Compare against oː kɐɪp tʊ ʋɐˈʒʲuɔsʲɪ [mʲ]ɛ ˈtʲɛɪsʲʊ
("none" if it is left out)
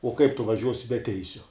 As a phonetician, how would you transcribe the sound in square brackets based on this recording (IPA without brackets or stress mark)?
bʲ